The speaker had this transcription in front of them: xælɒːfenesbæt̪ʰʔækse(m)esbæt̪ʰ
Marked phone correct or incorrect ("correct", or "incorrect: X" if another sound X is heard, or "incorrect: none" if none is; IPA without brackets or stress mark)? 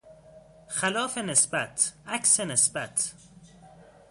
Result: incorrect: n